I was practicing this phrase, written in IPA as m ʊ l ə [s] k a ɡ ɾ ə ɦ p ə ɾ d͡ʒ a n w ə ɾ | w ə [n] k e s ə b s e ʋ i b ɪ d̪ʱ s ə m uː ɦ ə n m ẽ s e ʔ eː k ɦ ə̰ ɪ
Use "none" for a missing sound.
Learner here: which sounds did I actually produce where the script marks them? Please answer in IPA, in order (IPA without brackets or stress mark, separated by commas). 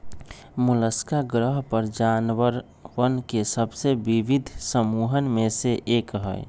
s, n